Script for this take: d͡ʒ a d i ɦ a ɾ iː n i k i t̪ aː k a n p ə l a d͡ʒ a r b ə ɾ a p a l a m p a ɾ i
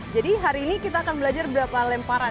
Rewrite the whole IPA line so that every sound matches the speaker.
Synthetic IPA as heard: d͡ʒ a d i ɦ a ɾ iː n i k i t̪ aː k a n b ə l a d͡ʒ a r b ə ɾ a p a l ɛ m p a ɾ a

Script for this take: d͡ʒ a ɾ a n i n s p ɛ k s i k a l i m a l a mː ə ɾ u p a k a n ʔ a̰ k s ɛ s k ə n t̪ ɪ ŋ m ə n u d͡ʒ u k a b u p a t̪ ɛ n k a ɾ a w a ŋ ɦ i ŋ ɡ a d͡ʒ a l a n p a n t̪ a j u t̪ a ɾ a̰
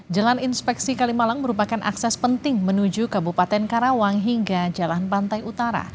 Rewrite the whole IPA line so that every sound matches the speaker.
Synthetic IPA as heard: d͡ʒ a l a n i n s p ɛ k s i k a l i m a l a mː ə ɾ u p a k a n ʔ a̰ k s ɛ s p ə n t̪ ɪ ŋ m ə n u d͡ʒ u k a b u p a t̪ ɛ n k a ɾ a w a ŋ ɦ i ŋ ɡ a d͡ʒ a l a n p a n t̪ a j u t̪ a ɾ a̰

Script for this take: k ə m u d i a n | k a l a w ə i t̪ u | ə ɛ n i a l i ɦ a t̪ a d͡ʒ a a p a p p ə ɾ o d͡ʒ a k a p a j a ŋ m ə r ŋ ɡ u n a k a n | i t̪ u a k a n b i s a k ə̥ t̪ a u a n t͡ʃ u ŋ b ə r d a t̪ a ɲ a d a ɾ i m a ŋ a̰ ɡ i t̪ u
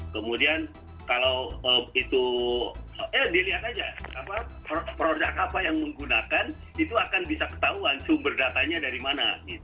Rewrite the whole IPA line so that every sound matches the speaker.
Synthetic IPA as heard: k ə m u d i a n | k a l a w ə i t̪ u | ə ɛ d i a l i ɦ a t̪ a d͡ʒ a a p a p p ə ɾ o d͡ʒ a k a p a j a ŋ m ə ŋ ɡ u n a k a n | i t̪ u a k a n b i s a k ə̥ t̪ a u a n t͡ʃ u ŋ b ə r d a t̪ a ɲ a d a ɾ i m a n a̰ ɡ i t̪ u

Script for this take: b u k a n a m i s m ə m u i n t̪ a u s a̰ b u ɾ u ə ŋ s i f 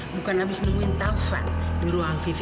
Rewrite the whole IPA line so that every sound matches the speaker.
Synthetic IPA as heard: b u k a n a b i s n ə m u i n t̪ a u f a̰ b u ɾ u a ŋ f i f

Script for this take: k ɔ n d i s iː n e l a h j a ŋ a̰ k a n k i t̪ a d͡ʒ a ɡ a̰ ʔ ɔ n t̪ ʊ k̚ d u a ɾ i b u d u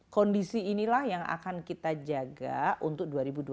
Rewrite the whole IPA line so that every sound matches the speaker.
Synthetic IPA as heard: k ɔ n d i s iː n i l a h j a ŋ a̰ k a n k i t̪ a d͡ʒ a ɡ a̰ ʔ u n t̪ ʊ k̚ d u a ɾ i b u d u

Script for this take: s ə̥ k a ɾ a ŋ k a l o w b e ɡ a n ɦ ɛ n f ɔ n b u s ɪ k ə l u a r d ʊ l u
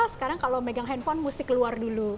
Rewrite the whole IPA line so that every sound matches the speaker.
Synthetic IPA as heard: s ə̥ k a ɾ a ŋ k a l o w m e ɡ a ŋ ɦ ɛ n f ɔ n m u s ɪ k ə l u a r d u l u

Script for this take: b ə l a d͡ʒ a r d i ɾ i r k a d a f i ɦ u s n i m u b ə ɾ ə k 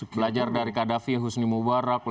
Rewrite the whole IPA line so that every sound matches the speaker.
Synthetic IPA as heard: b ə l a d͡ʒ a r d a ɾ i k a d a f i ɦ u s n i m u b a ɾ a k

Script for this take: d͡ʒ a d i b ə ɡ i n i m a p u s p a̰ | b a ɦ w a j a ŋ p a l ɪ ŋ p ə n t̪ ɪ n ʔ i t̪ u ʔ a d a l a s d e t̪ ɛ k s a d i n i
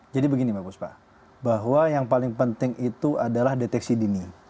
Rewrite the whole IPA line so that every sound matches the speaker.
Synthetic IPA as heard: d͡ʒ a d i b ə ɡ i n i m a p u s p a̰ | b a ɦ w a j a ŋ p a l ɪ ŋ p ə n t̪ ɪ ŋ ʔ i t̪ u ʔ a d a l a h d e t̪ ɛ k s i d i n i

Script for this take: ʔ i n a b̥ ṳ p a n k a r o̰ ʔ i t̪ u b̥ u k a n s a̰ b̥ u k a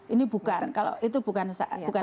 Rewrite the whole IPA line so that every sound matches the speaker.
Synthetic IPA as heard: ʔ i n i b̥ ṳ k a n k a l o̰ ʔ i t̪ u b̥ u k a n s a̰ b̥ u k a

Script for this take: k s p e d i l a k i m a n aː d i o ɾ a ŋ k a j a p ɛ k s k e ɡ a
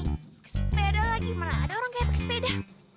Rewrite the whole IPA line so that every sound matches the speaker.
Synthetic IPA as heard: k s p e d a l a ɡ i m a n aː d a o ɾ a ŋ k a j a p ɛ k s p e d a

